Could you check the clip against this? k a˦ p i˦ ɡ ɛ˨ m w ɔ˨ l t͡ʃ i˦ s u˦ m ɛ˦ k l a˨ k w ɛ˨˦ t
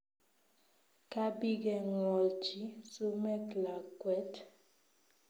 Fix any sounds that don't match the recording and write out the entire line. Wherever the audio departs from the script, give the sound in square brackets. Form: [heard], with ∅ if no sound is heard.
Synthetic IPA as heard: k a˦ [b] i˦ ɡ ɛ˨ [ŋ] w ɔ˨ l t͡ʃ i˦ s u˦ m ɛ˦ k l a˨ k w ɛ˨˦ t